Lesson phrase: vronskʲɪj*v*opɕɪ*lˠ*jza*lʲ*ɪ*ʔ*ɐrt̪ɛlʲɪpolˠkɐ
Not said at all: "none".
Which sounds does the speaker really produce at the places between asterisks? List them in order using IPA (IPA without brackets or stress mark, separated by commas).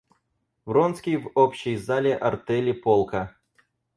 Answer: v, none, lʲ, ʔ